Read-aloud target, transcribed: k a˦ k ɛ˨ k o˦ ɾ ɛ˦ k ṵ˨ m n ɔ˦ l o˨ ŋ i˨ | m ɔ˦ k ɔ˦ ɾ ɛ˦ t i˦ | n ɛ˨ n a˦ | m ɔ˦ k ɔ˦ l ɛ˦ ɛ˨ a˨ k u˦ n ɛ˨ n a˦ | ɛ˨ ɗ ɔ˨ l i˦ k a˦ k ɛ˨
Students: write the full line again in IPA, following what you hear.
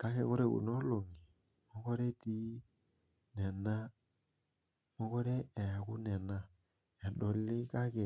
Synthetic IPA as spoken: k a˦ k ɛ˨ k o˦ ɾ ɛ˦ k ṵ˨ n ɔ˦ l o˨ ŋ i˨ | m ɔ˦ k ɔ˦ ɾ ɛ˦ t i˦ | n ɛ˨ n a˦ | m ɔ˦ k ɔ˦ ɾ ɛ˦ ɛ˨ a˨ k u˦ n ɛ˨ n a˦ | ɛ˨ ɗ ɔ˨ l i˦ k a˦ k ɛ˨